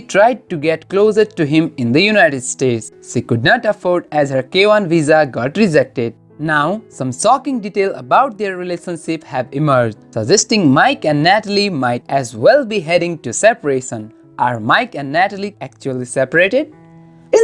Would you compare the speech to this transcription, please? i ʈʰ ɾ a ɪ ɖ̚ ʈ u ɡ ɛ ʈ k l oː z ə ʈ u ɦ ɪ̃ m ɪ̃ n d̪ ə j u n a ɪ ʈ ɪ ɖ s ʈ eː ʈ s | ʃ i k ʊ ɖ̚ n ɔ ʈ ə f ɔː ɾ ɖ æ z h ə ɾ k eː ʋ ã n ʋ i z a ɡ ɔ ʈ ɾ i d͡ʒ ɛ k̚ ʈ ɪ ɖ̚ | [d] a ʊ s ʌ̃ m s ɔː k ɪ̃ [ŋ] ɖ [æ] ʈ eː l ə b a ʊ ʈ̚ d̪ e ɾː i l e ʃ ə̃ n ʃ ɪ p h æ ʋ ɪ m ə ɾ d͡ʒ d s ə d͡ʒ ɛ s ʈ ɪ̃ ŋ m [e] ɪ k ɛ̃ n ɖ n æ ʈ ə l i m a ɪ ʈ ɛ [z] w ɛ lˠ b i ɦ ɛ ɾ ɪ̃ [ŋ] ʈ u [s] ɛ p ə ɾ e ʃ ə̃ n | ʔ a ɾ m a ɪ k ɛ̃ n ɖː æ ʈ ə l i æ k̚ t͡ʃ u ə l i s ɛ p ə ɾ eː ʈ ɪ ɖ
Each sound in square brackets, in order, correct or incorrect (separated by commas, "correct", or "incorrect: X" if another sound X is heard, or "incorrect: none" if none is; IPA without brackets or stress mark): incorrect: n, correct, incorrect: i, incorrect: a, correct, correct, correct